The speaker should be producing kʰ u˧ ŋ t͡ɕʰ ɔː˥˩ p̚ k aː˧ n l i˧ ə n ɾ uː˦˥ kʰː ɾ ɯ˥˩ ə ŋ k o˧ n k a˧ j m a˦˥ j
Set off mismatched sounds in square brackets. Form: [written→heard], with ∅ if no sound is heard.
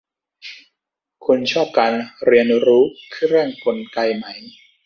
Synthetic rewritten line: kʰ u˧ [ŋ→n] t͡ɕʰ ɔː˥˩ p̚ k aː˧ n [l→ɾ] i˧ ə n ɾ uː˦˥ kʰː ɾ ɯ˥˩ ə ŋ k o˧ n k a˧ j m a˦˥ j